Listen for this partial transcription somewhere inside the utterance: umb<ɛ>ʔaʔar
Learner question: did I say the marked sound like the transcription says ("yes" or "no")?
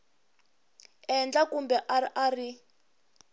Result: yes